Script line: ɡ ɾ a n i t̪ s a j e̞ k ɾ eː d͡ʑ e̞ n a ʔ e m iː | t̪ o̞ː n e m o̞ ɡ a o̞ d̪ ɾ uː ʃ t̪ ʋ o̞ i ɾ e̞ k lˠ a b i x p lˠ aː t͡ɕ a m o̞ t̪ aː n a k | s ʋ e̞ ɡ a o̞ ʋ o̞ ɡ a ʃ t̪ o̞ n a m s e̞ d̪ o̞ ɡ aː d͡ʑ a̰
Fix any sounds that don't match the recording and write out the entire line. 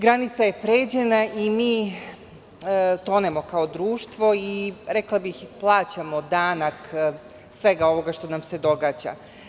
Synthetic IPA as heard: ɡ ɾ a n i t̪ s a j e̞ p ɾ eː d͡ʑ e̞ n a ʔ i m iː | t̪ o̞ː n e m o̞ k a o̞ d̪ ɾ uː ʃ t̪ ʋ o̞ i ɾ e̞ k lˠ a b i x p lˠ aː t͡ɕ a m o̞ d̪ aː n a k | s ʋ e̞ ɡ a o̞ ʋ o̞ ɡ a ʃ t̪ o̞ n a m s e̞ d̪ o̞ ɡ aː d͡ʑ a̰